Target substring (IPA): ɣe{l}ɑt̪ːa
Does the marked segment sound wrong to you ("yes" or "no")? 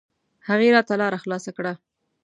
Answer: yes